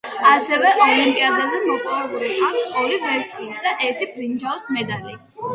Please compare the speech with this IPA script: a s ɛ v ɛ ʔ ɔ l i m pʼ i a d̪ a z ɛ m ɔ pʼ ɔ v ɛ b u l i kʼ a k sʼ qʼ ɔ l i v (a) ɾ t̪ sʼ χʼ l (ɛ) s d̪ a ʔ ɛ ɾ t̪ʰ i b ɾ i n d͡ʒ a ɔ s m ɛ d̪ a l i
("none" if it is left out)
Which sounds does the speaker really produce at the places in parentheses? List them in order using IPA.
ɛ, i

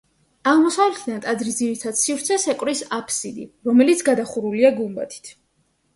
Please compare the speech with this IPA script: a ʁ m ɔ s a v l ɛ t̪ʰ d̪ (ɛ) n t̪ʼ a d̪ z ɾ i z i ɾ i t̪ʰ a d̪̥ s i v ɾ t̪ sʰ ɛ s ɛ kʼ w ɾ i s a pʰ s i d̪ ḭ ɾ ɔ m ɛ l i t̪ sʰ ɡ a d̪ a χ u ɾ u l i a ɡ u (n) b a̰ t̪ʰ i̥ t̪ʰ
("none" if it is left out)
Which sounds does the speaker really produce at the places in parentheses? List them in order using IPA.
a, m

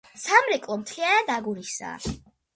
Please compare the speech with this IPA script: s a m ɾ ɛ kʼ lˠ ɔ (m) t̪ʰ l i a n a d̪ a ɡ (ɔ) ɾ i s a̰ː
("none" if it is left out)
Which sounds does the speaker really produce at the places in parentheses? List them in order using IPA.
m, u

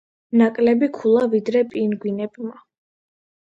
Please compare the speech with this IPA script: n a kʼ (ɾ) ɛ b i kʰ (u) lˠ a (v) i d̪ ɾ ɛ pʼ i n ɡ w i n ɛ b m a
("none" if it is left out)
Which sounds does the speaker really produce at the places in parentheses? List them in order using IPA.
l, u, v

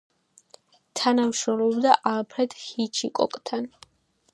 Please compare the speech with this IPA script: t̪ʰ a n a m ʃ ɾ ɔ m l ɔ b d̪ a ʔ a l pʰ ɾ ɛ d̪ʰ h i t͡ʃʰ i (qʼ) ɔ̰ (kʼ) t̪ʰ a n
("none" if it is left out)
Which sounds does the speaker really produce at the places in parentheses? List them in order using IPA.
kʼ, kʼ

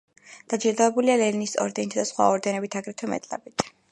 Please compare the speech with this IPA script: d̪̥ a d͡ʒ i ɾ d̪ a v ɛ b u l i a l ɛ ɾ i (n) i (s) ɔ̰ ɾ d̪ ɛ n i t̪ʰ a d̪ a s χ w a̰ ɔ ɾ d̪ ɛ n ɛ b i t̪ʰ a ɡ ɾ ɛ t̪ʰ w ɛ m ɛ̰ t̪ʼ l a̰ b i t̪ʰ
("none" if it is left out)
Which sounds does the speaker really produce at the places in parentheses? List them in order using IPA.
n, s

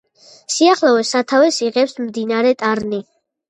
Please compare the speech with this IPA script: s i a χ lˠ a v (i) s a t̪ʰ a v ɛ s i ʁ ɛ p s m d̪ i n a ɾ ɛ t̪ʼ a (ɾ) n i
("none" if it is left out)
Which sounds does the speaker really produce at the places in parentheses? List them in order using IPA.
ɛ, ɾ

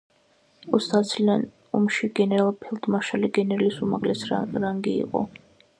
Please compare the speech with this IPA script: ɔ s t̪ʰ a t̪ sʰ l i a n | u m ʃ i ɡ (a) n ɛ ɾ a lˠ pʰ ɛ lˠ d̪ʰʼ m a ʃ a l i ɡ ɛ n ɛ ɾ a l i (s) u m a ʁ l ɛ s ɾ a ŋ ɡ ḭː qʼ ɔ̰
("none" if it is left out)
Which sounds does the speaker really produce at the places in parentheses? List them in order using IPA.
ɛ, s

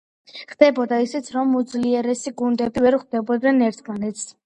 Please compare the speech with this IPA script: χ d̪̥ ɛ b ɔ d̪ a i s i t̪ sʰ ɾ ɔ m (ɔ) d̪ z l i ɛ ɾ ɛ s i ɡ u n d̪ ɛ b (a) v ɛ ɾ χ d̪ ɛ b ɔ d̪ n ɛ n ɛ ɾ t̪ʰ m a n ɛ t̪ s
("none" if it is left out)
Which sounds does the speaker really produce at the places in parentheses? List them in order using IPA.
u, i

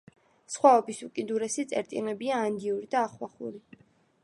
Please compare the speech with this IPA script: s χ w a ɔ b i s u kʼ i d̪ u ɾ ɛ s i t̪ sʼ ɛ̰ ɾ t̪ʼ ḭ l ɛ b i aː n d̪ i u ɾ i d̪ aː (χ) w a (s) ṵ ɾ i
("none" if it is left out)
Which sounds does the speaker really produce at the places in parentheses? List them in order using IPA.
χ, χ

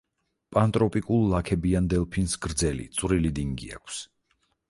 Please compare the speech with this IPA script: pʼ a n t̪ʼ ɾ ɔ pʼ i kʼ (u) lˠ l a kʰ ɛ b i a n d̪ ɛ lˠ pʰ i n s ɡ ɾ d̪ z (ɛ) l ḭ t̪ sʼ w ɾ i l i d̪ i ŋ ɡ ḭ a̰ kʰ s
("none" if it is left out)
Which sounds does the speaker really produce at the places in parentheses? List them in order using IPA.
u, ɛ

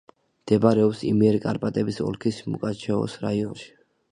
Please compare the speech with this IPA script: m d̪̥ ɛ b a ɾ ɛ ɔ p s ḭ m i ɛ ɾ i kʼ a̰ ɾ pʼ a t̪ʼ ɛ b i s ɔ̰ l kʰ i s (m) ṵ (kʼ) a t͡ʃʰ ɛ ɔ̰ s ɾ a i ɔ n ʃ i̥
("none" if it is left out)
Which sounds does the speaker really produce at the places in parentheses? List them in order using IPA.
m, kʼ

